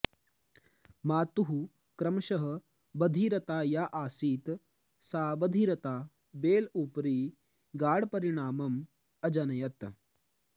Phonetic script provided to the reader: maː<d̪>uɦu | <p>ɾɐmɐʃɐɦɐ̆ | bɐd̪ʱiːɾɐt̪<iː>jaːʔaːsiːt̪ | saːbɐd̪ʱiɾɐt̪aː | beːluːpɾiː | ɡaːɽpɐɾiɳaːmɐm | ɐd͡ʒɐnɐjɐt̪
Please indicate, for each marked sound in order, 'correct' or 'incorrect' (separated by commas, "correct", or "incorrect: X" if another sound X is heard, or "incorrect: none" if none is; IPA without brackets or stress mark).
incorrect: t̪, incorrect: k, incorrect: aː